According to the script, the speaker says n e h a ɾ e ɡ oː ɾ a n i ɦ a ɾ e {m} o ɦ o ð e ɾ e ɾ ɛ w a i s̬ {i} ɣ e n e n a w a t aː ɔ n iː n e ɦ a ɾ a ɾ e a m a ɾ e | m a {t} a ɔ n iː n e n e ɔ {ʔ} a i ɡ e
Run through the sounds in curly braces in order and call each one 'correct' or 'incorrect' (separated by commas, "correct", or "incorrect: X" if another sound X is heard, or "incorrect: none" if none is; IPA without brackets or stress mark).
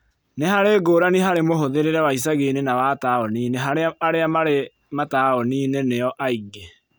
correct, incorrect: a, correct, correct